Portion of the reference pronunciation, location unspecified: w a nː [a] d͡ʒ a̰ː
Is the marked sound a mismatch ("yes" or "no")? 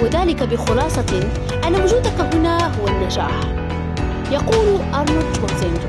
no